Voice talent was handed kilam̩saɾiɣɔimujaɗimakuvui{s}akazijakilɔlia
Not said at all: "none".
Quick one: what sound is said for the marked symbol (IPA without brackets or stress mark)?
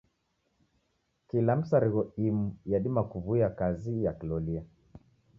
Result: none